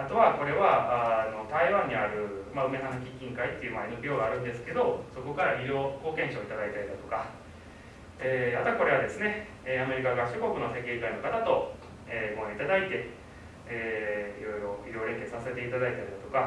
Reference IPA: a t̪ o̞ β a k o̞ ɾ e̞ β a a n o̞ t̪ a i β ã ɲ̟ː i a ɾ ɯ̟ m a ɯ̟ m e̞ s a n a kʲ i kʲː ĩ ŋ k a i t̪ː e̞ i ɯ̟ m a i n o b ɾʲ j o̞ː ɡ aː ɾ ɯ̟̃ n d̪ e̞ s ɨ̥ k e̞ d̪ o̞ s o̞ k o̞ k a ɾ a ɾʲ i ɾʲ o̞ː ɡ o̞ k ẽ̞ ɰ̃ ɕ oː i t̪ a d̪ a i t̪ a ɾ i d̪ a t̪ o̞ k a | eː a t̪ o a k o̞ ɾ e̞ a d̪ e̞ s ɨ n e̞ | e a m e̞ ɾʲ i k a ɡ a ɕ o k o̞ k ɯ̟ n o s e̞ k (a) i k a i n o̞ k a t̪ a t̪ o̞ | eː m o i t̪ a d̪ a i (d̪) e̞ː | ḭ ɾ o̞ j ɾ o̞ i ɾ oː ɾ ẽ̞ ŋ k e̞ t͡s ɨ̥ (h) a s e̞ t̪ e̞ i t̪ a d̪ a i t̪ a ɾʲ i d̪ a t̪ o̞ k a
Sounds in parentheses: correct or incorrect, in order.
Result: incorrect: e, incorrect: t̪, incorrect: s

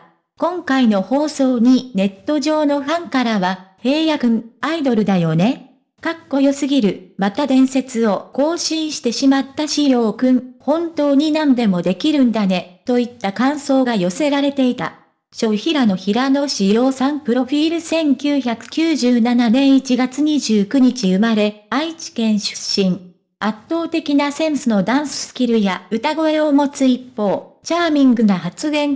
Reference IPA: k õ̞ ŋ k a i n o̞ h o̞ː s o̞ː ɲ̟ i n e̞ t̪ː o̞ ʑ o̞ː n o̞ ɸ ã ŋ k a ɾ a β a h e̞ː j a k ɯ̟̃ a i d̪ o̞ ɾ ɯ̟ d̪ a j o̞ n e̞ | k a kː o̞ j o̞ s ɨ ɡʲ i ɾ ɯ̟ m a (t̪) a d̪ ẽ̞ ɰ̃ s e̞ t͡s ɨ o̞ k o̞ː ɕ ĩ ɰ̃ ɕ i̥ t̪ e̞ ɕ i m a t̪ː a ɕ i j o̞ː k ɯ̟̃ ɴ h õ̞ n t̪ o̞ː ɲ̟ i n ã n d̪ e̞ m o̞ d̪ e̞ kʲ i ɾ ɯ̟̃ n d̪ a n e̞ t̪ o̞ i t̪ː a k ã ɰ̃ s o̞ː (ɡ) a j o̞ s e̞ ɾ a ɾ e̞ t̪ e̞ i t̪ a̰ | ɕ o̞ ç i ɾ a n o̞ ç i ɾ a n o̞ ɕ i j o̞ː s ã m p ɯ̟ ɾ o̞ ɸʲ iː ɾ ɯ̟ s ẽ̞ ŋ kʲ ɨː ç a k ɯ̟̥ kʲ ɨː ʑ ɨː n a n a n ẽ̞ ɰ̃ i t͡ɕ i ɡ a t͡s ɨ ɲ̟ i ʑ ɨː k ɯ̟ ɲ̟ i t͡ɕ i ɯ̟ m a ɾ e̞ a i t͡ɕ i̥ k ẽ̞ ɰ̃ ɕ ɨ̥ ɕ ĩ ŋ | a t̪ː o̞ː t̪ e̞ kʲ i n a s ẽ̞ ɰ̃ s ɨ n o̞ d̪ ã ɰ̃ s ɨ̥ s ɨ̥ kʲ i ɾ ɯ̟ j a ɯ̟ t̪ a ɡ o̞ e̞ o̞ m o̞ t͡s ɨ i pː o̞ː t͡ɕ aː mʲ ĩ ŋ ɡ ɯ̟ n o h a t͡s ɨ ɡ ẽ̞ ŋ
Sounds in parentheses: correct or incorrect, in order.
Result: correct, correct

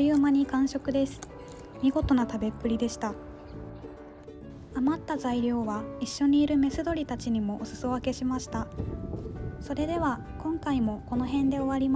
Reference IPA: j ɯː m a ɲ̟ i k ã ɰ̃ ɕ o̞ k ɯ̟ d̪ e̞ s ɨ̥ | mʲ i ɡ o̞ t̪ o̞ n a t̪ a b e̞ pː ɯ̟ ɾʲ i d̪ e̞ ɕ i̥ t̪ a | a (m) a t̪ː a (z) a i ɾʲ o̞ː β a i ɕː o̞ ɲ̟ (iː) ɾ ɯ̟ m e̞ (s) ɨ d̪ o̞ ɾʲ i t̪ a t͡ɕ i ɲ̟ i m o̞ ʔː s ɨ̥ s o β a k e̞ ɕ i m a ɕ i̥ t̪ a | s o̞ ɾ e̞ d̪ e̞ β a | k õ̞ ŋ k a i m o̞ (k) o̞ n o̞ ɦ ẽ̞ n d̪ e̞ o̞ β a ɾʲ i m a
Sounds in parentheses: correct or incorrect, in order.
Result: correct, correct, correct, correct, correct

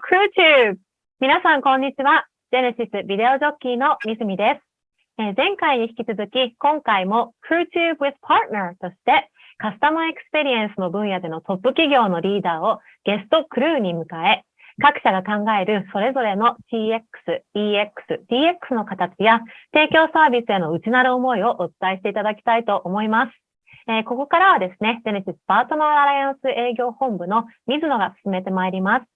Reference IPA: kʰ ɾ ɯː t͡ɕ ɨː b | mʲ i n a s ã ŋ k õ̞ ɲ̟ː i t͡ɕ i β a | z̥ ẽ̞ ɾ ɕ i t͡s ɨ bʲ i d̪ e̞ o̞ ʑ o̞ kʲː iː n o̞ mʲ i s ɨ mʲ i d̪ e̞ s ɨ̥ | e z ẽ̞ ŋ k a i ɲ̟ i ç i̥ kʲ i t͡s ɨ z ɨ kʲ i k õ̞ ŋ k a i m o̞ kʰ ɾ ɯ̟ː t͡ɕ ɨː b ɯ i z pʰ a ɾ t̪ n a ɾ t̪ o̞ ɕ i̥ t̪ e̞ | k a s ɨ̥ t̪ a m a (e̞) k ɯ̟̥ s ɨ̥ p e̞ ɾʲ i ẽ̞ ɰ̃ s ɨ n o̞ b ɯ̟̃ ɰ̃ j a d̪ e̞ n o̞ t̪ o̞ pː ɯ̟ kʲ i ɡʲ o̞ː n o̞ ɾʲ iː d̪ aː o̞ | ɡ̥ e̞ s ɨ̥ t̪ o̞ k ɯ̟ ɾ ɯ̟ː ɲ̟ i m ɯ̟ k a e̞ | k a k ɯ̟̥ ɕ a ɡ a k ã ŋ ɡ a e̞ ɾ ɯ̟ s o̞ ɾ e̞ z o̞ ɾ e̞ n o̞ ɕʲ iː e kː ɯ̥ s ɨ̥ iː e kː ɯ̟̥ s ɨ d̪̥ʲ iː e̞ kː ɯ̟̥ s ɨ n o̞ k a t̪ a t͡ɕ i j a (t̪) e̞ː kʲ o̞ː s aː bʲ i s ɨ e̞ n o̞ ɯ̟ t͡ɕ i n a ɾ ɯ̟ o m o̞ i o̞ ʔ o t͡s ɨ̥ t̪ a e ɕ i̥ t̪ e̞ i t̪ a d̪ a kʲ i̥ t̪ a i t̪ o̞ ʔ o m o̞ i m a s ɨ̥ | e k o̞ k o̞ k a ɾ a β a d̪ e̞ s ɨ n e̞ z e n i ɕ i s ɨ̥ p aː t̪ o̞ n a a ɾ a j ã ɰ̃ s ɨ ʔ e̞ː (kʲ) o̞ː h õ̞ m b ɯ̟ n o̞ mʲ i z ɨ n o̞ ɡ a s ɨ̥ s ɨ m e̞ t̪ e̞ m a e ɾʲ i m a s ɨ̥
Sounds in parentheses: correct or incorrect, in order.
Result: correct, correct, incorrect: ɡʲ

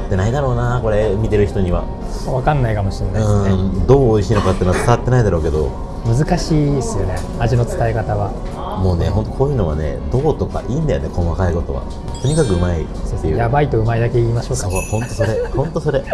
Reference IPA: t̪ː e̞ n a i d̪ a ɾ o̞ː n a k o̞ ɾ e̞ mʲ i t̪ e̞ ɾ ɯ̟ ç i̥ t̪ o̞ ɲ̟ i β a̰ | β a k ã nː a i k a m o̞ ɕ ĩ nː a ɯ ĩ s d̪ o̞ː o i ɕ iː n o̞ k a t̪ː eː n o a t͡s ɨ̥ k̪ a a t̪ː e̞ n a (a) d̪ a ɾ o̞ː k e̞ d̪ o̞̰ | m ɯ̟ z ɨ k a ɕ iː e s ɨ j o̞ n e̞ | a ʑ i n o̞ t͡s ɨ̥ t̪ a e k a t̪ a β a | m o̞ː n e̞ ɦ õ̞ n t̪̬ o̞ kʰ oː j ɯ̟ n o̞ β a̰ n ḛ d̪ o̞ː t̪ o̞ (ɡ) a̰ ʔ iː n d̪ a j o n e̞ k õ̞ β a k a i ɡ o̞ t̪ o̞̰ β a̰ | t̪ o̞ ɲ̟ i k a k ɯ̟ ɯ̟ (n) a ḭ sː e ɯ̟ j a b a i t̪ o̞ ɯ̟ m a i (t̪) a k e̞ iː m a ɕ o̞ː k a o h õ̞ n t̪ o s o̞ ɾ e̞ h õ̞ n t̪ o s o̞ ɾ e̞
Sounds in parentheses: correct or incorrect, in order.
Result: incorrect: i, incorrect: k, incorrect: m, incorrect: d̪

